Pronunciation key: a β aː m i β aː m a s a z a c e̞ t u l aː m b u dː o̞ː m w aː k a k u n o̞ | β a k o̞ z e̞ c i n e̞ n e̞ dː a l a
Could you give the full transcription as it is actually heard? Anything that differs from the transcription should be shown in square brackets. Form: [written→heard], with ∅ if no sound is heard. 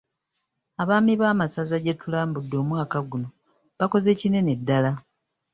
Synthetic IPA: a β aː m i β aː m a s a z a [c→ɟ] e̞ t u l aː m b u dː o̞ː m w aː k a [k→ɡ] u n o̞ | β a k o̞ z e̞ c i n e̞ n e̞ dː a l a